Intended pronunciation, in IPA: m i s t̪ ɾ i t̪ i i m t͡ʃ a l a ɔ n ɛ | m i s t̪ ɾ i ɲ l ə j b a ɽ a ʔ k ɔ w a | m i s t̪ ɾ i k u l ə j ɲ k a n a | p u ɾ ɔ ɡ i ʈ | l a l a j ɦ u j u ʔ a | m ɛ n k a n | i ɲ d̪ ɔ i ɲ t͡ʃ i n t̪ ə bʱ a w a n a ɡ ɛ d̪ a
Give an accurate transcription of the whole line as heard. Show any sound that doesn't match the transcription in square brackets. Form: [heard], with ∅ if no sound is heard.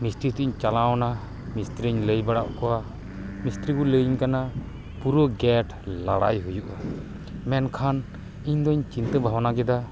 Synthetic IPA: m i s t̪ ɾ i t̪ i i [ɲ] t͡ʃ a l a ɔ n [a] | m i s t̪ ɾ i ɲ l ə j b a ɽ a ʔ k ɔ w a | m i s t̪ ɾ i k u l ə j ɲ k a n a | p u ɾ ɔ ɡ [ɛ] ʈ | l a [ɽ] a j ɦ u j u ʔ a | m ɛ n [kʰ] a n | i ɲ d̪ ɔ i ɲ t͡ʃ i n t̪ ə bʱ a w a n a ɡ ɛ d̪ a